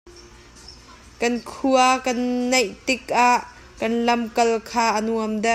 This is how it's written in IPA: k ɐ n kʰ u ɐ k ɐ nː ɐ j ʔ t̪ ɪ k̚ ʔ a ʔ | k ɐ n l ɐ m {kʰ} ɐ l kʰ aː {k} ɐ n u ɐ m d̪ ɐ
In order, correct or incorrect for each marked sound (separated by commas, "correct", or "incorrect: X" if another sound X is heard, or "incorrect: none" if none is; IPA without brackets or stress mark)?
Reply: incorrect: k, incorrect: ʔ